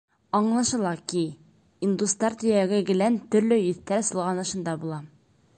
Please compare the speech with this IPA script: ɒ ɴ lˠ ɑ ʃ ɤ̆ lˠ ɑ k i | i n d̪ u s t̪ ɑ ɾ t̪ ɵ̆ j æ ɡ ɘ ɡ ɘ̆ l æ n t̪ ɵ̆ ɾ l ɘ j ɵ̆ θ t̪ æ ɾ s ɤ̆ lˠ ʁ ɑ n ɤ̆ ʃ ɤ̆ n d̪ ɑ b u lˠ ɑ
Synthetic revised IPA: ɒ ɴ lˠ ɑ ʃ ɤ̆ lˠ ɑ k i | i n d̪ u s t̪ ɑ ɾ t̪ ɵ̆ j æ ɡ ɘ ɡ ɘ̆ l æ n t̪ ɵ̆ ɾ l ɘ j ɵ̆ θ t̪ æ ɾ s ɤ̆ lˠ ʁ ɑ n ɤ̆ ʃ ɤ̆ n d̪ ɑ b u lˠ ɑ